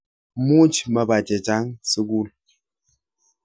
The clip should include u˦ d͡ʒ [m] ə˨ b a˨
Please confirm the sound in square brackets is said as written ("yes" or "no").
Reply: yes